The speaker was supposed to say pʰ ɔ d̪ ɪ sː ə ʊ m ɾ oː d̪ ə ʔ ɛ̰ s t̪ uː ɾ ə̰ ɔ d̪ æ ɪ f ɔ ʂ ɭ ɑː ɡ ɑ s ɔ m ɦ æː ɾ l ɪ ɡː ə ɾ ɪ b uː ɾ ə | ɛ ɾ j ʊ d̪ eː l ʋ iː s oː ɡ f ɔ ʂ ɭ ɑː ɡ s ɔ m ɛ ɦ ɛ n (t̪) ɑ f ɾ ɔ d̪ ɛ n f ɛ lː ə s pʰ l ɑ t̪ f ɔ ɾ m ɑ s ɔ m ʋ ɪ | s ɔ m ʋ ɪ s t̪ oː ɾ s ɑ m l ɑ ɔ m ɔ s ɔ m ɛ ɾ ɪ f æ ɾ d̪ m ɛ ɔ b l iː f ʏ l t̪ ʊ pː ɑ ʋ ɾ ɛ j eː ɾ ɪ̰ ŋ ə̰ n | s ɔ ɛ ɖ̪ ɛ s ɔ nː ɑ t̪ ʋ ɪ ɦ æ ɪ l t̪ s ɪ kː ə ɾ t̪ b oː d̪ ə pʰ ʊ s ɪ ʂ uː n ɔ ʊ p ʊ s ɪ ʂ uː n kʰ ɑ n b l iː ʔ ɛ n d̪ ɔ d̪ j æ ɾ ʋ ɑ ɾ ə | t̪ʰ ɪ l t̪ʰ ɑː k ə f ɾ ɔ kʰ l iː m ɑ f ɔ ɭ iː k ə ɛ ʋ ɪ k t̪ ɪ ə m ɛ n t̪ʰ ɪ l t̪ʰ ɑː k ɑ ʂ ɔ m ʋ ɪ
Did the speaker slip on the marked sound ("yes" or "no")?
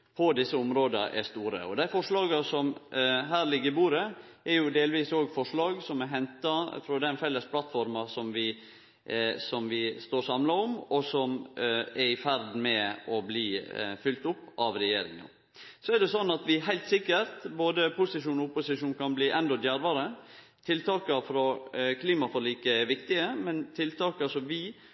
no